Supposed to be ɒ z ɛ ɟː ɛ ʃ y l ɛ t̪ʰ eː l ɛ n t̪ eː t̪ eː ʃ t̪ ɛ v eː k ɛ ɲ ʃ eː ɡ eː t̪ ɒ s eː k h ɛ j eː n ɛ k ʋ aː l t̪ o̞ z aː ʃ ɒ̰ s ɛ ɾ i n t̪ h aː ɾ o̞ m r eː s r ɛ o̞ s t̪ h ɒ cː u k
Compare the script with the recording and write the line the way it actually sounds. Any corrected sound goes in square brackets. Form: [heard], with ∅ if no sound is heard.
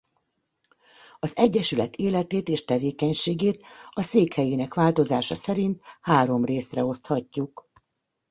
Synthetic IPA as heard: ɒ z ɛ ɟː ɛ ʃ y l ɛ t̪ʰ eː l ɛ [∅] t̪ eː t̪ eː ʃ t̪ ɛ v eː k ɛ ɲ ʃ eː ɡ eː t̪ ɒ s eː k h ɛ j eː n ɛ k ʋ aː l t̪ o̞ z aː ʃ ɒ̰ s ɛ ɾ i n t̪ h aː ɾ o̞ m r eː s r ɛ o̞ s t̪ h ɒ cː u k